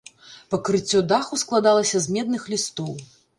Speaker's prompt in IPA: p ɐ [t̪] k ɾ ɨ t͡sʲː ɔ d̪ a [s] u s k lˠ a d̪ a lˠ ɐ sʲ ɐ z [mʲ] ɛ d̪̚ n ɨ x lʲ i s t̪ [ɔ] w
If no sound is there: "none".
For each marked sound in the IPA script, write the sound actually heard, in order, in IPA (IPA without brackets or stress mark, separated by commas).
none, x, mʲ, ɔ